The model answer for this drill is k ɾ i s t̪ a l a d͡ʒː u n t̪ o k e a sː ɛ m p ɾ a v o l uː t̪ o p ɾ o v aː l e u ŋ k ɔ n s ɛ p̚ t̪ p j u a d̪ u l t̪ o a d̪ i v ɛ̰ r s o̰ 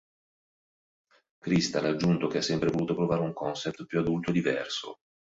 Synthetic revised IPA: k ɾ i s t̪ a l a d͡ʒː u n t̪ o k e a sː ɛ m p ɾ e v o l uː t̪ o p ɾ o v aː ɾ e u ŋ k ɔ n s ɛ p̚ t̪ p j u a d̪ u l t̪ o e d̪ i v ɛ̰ r s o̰